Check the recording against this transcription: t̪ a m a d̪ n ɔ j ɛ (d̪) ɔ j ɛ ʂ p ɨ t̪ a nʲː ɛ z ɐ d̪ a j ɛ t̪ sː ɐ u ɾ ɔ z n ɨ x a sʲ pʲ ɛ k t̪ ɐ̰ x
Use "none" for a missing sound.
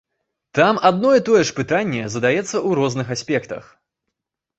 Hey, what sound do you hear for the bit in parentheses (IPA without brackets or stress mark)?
t̪